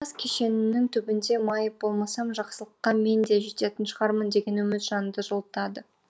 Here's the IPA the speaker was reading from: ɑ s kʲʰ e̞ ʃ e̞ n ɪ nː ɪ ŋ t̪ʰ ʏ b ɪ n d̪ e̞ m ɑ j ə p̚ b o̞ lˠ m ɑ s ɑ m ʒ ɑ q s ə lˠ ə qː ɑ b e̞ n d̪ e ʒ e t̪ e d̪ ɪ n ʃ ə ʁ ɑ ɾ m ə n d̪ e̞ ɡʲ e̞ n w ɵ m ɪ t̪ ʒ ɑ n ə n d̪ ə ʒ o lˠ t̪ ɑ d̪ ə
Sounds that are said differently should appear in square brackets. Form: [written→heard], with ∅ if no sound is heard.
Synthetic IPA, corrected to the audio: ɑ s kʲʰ e̞ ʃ e̞ n ɪ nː ɪ ŋ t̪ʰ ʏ b ɪ n d̪ e̞ m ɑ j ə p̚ b o̞ lˠ m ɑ s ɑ m ʒ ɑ q s ə lˠ ə qː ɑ [b→m] e̞ n d̪ e ʒ e t̪ e [d̪→t̪] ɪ n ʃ ə ʁ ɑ ɾ m ə n d̪ e̞ ɡʲ e̞ n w ɵ m ɪ t̪ ʒ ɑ n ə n d̪ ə ʒ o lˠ t̪ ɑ d̪ ə

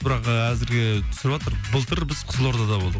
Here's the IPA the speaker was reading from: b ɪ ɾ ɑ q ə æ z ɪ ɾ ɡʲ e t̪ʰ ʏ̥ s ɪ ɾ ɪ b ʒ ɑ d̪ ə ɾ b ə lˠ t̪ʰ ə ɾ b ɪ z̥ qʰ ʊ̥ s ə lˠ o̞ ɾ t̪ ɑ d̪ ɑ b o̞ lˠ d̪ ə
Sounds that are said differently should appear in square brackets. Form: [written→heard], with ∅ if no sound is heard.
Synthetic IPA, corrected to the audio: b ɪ ɾ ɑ q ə æ z ɪ ɾ ɡʲ e t̪ʰ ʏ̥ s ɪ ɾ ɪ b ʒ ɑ [d̪→t̪] ə ɾ b ə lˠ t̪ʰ ə ɾ b ɪ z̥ qʰ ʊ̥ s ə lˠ o̞ ɾ [t̪→d̪] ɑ d̪ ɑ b o̞ lˠ d̪ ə

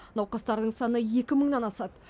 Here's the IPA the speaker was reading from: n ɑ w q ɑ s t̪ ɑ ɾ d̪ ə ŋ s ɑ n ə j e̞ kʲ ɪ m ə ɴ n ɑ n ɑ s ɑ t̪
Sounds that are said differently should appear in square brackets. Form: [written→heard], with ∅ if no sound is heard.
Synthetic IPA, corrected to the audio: n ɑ w q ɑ s t̪ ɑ ɾ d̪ ə [ŋ→ɴ] s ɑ n ə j e̞ kʲ ɪ m ə ɴ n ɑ n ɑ s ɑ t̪

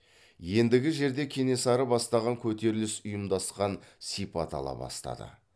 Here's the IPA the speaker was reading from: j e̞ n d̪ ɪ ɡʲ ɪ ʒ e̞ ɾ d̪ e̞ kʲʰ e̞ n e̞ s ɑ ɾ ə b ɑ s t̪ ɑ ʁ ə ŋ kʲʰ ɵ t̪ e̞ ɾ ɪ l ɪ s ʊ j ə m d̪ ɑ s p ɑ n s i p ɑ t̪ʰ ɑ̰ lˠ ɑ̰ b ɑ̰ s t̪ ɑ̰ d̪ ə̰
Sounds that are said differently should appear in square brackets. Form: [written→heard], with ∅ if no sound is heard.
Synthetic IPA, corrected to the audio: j e̞ n d̪ ɪ ɡʲ ɪ ʒ e̞ ɾ d̪ e̞ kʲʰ e̞ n e̞ s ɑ ɾ ə b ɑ s t̪ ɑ ʁ [ə→ɑ] ŋ kʲʰ ɵ t̪ e̞ ɾ ɪ l ɪ s ʊ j ə m d̪ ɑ s [p→q] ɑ n s i p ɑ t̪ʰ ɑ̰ lˠ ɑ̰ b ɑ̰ s t̪ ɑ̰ d̪ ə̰

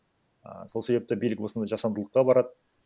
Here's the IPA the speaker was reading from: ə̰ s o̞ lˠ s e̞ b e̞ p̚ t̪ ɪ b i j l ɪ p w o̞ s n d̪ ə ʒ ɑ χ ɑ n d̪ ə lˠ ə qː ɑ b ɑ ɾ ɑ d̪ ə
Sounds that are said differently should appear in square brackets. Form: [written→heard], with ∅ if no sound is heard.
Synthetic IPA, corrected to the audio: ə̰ s o̞ lˠ s e̞ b e̞ p̚ t̪ ɪ b i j l ɪ [p→k] w o̞ s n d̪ [ə→ɑ] ʒ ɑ [χ→s] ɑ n d̪ ə lˠ ə qː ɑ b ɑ ɾ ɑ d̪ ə

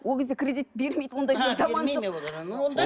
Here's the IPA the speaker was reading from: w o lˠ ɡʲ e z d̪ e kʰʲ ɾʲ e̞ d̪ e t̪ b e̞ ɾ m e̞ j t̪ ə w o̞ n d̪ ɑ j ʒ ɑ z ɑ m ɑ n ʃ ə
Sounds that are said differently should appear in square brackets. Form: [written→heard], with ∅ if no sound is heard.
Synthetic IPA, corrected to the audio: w o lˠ ɡʲ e z d̪ e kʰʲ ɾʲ e̞ d̪ [e→i] t̪ b e̞ ɾ m e̞ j [t̪→d̪] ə w o̞ n d̪ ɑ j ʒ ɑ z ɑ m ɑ n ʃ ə

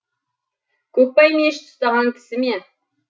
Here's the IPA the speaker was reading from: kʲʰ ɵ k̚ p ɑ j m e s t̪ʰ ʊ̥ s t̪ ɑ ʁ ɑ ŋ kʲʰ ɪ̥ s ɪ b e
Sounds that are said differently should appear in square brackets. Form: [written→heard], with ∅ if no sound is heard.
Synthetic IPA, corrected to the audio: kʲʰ ɵ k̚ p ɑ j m e [s→ʃ] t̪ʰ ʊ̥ s t̪ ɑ ʁ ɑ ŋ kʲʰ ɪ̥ s ɪ [b→m] e

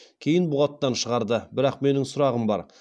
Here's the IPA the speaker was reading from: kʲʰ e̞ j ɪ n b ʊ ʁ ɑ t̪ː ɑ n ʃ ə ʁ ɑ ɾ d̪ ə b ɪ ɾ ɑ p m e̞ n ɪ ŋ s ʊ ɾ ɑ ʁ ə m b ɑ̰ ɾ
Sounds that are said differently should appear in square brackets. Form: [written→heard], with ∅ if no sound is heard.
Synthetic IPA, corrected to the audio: kʲʰ e̞ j ɪ n b ʊ ʁ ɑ t̪ː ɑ n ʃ ə ʁ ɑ ɾ d̪ ə b ɪ ɾ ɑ [p→q] m e̞ n ɪ ŋ s ʊ ɾ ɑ ʁ ə m b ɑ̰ ɾ

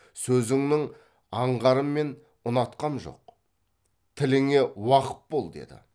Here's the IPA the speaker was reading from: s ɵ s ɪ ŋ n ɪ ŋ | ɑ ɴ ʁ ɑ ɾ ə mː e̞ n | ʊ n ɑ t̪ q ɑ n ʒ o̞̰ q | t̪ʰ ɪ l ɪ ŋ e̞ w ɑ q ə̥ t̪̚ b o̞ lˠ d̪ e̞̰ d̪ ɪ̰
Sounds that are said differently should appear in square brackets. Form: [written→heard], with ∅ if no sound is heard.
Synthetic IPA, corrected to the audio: s ɵ [s→z] ɪ ŋ n ɪ ŋ | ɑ ɴ ʁ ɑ ɾ ə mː e̞ n | ʊ n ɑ t̪ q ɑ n ʒ o̞̰ q | t̪ʰ ɪ l ɪ ŋ e̞ w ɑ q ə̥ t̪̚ b o̞ lˠ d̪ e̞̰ d̪ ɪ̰

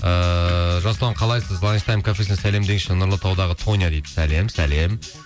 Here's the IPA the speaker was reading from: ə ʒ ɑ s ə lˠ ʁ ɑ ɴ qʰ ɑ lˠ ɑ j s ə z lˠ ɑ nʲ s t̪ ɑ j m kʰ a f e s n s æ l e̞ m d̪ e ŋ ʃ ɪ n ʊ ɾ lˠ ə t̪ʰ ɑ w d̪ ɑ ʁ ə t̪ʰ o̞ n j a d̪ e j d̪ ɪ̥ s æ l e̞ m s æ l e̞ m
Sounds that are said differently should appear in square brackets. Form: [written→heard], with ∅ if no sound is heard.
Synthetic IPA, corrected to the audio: ə ʒ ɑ s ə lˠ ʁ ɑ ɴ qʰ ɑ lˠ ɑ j s ə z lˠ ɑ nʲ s t̪ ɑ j m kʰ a f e s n s æ l e̞ m d̪ e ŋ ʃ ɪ n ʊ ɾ lˠ ə t̪ʰ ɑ w d̪ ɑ ʁ ə t̪ʰ o̞ n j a d̪ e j d̪ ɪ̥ s æ l e̞ m s æ l e̞ m

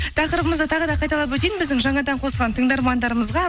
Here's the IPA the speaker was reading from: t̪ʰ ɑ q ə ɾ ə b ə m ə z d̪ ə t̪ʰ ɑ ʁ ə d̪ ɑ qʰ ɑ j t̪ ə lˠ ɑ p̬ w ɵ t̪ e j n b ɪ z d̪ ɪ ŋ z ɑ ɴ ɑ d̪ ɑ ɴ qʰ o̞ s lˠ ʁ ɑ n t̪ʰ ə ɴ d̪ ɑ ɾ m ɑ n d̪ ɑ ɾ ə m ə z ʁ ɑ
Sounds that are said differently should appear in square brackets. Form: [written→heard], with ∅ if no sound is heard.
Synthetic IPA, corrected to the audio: t̪ʰ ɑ q ə ɾ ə b ə m ə z d̪ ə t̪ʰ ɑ ʁ ə d̪ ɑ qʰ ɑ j t̪ [ə→ɑ] lˠ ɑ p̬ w ɵ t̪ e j n b ɪ z d̪ ɪ ŋ [z→ʒ] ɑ ɴ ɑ d̪ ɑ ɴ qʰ o̞ s lˠ ʁ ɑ n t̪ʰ ə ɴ d̪ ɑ ɾ m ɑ n d̪ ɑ ɾ ə m ə z ʁ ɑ

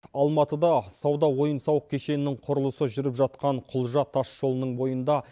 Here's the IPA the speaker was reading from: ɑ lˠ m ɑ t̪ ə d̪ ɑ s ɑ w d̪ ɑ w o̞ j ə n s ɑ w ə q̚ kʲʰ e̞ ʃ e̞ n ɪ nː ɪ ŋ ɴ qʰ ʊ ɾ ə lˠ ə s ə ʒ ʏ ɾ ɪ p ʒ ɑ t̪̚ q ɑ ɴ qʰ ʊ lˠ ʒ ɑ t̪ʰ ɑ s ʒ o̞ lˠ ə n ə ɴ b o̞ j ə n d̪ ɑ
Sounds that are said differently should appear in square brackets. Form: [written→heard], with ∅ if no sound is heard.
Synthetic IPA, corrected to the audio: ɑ lˠ m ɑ t̪ ə d̪ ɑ s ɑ w d̪ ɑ w o̞ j ə n s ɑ w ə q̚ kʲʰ e̞ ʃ e̞ n ɪ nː ɪ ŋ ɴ qʰ ʊ ɾ ə lˠ ə s ə ʒ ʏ ɾ ɪ p ʒ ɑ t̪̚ q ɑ ɴ qʰ ʊ lˠ ʒ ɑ t̪ʰ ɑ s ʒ o̞ lˠ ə n ə ɴ b o̞ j ə n d̪ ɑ

